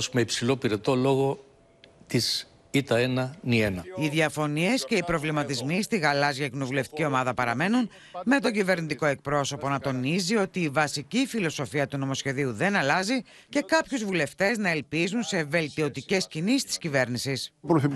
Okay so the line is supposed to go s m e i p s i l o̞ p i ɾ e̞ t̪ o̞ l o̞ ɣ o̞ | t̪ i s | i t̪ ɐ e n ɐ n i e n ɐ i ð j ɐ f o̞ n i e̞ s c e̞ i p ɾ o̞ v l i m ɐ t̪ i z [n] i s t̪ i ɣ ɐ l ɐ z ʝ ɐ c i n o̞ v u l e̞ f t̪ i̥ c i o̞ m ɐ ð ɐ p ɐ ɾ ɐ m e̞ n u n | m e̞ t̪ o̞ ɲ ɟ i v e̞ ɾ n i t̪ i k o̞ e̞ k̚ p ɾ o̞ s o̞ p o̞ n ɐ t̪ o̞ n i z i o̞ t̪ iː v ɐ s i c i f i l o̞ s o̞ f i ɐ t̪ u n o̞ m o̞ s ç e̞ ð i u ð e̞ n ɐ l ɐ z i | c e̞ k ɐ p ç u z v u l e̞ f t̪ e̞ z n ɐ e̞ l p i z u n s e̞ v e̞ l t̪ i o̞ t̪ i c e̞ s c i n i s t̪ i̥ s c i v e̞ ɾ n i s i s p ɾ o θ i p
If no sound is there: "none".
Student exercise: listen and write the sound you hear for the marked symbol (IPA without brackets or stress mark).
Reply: m